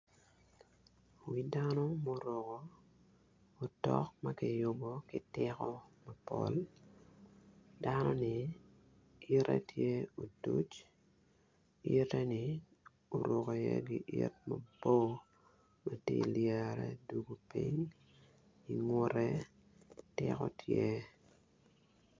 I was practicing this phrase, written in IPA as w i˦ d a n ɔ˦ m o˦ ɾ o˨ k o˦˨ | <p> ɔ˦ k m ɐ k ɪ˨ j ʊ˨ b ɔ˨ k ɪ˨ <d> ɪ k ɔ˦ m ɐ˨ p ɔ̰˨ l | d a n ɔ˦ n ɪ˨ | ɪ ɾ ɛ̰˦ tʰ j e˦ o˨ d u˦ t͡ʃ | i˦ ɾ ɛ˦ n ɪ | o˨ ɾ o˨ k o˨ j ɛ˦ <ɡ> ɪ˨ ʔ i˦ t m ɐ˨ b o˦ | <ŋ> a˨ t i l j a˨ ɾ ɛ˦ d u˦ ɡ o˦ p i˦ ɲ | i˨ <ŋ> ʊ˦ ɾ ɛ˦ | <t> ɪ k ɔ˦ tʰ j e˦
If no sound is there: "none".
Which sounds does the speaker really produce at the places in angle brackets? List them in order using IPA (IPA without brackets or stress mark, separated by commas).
t, t, ɡ, m, ŋ, t